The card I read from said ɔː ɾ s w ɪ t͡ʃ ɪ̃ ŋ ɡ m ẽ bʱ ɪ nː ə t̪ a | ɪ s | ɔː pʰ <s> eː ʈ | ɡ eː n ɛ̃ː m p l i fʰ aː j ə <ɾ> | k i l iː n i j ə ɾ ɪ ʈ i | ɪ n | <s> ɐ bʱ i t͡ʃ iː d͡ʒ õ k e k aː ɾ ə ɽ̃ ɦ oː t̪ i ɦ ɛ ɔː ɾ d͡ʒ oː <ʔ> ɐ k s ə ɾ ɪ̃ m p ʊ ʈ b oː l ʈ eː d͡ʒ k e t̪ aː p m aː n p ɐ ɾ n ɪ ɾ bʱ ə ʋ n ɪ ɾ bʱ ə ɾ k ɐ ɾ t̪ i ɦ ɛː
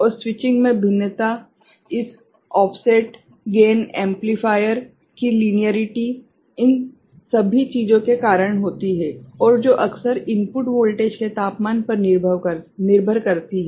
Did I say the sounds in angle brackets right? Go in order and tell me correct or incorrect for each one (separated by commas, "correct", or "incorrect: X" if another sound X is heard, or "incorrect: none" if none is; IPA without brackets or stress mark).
correct, correct, correct, correct